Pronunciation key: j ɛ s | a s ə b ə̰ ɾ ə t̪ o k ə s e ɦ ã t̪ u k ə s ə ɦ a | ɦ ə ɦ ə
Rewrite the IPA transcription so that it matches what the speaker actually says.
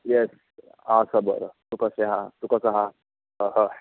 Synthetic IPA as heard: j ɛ s | a s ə b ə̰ ɾ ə t̪ u k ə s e ɦ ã t̪ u k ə s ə ɦ a | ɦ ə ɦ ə